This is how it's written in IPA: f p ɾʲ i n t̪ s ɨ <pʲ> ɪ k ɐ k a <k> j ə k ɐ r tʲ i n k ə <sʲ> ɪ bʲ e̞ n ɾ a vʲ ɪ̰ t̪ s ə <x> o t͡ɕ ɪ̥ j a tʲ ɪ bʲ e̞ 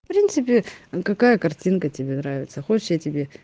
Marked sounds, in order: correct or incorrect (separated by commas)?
correct, incorrect, incorrect, correct